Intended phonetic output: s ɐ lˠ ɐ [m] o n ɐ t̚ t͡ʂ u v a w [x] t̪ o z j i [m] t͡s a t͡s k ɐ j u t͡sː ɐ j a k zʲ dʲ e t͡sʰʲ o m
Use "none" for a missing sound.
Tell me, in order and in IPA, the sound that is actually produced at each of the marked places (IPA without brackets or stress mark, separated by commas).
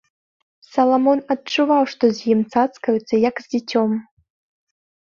m, ʂ, m